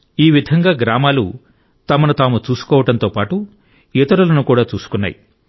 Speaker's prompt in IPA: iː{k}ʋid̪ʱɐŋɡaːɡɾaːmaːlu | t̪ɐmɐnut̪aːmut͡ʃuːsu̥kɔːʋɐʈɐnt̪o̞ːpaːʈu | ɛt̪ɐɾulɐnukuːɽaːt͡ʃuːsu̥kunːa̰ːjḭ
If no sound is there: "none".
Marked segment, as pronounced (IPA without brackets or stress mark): none